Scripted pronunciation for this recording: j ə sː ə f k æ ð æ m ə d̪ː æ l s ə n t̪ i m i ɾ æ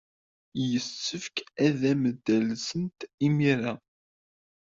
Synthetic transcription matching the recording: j ə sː ə f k æ ð æ m ə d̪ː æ l s ə n t̪ i m i ɾ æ

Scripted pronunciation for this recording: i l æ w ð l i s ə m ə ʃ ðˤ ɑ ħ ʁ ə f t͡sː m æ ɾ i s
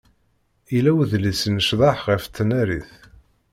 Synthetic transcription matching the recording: i l æ w ð l i s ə n ə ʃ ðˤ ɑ ħ ʁ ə f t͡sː n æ ɾ i θ

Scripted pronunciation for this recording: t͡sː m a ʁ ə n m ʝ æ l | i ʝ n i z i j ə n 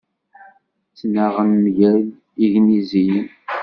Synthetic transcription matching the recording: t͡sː n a ʁ ə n m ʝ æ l | i ʝ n i z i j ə n

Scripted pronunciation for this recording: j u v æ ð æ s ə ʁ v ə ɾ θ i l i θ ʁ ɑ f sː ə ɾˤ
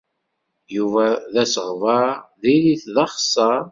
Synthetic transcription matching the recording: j u v æ ð æ s ə ʁ v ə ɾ ð i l i θ ð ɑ χ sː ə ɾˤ

